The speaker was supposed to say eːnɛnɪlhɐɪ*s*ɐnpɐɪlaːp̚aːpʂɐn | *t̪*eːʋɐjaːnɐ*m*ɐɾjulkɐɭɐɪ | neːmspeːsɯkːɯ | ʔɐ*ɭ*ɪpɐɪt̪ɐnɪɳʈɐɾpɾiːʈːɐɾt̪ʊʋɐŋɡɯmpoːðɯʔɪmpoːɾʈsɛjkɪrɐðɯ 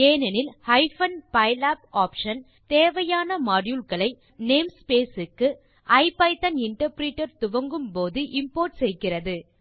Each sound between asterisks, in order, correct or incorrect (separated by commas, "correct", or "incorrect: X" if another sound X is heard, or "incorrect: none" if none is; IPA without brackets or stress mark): incorrect: f, correct, correct, incorrect: none